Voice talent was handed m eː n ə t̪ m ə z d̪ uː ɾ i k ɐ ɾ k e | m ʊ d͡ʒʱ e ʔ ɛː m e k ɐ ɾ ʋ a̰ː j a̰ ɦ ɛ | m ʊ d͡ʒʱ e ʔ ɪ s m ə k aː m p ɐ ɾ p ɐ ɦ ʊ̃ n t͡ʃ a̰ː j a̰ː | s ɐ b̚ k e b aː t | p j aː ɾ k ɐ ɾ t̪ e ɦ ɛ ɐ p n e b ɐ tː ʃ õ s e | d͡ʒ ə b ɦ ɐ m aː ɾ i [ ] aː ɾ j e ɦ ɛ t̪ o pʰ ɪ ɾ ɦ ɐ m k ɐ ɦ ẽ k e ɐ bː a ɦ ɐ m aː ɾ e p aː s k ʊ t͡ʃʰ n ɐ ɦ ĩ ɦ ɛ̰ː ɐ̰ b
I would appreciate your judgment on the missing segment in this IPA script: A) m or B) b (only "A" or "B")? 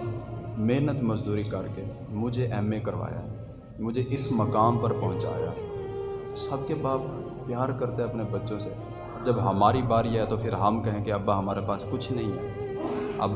B